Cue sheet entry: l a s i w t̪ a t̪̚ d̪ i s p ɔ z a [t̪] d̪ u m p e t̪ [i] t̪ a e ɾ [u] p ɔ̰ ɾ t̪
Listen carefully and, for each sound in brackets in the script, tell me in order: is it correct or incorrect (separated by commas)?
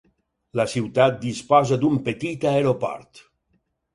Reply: incorrect, correct, incorrect